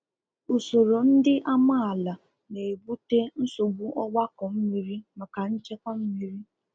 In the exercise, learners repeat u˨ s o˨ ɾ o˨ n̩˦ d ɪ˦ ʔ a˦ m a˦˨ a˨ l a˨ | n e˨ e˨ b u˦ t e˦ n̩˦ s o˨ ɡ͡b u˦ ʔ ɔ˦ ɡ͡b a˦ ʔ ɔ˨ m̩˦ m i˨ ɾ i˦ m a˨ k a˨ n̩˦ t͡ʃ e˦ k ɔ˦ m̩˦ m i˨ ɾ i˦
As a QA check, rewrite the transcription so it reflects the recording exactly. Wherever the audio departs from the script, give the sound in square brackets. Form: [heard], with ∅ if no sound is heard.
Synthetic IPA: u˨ s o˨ ɾ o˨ n̩˦ d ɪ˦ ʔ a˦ m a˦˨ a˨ l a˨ | n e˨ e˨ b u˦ t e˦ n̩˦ s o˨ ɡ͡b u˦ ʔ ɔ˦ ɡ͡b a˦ [k] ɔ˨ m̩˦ m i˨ ɾ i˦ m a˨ k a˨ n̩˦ t͡ʃ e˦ k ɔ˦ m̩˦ m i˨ ɾ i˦